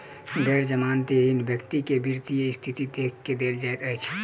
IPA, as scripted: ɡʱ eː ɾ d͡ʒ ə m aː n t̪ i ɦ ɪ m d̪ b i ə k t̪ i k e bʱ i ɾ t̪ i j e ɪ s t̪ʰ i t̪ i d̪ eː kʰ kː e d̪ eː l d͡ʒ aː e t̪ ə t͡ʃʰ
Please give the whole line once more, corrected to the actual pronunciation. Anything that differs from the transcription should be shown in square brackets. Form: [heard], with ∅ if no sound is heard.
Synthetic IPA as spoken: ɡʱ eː ɾ d͡ʒ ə m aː n t̪ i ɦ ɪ [n] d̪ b [j] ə k t̪ i k e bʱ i ɾ t̪ i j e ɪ s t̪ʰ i t̪ i d̪ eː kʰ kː e d̪ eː l d͡ʒ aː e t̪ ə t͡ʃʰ